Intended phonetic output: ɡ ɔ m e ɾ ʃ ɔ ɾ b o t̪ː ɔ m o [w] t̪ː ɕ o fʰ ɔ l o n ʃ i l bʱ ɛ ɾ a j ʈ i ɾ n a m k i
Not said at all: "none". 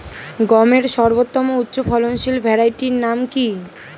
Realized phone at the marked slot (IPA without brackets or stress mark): u